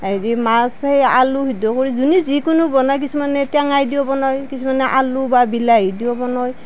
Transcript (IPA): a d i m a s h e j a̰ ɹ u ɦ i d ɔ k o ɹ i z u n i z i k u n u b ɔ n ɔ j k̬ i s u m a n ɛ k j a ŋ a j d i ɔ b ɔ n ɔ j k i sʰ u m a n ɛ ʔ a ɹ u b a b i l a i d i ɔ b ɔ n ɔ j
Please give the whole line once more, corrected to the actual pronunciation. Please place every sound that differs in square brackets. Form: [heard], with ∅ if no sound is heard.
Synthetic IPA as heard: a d i m a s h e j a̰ [l] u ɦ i d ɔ k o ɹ i z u n i z i k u n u b ɔ n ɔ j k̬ i s u m a n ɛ [t] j a ŋ a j d i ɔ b ɔ n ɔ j k i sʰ u m a n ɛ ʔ a [l] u b a b i l a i d i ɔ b ɔ n ɔ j

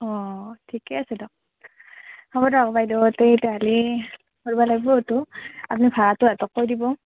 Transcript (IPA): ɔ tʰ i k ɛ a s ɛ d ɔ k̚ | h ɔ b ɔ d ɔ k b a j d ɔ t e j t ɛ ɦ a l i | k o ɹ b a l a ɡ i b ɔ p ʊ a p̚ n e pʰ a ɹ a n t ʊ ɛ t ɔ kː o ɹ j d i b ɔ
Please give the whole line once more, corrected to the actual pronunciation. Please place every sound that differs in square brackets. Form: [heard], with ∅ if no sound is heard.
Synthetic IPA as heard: ɔ tʰ i k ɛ a s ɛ d ɔ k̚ | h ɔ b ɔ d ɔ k b a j d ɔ t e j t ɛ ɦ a l i | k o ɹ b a l a ɡ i b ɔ [t] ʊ a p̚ n [i] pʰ a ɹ a [∅] t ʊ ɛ t ɔ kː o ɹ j d i b ɔ

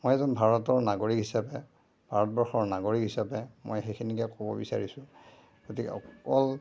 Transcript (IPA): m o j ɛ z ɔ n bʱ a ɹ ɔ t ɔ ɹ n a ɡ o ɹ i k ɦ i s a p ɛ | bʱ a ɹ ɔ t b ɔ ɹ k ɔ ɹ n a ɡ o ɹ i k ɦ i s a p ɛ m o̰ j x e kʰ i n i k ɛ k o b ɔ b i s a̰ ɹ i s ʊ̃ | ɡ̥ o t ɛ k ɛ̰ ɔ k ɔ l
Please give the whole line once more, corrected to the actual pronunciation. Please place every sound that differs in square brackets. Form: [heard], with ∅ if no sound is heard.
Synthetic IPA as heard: m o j ɛ z ɔ n bʱ a ɹ ɔ t ɔ ɹ n a ɡ o ɹ i k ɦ i s a p ɛ | bʱ a ɹ ɔ t b ɔ ɹ [x] ɔ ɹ n a ɡ o ɹ i k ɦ i s a p ɛ m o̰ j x e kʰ i n i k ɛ k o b ɔ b i s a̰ ɹ i s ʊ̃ | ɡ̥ o t [i] k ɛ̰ ɔ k ɔ l

